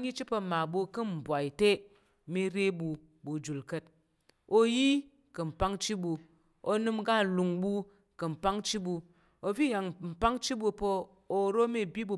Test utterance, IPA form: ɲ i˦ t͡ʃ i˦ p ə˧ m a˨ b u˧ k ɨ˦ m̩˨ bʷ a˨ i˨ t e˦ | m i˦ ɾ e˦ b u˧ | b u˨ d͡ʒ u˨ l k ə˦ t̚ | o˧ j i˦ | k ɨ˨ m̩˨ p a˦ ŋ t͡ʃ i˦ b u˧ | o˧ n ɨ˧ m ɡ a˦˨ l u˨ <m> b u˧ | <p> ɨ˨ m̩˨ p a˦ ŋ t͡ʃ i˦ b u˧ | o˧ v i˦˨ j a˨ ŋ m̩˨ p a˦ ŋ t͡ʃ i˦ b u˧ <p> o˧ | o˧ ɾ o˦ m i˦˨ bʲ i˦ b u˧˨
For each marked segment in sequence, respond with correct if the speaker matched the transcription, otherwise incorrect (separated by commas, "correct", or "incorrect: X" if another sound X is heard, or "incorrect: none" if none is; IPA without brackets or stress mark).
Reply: incorrect: ŋ, incorrect: k, correct